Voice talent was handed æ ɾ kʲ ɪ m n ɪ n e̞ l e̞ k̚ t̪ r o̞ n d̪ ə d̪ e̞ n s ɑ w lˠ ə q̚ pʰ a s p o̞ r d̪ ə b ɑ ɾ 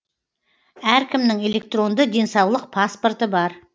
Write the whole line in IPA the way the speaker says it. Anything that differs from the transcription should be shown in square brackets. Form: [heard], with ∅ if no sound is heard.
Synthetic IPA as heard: æ ɾ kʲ ɪ m n ɪ [ŋ] e̞ l e̞ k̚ t̪ r o̞ n d̪ ə d̪ e̞ n s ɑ w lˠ ə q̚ pʰ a s p o̞ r [t̪] ə b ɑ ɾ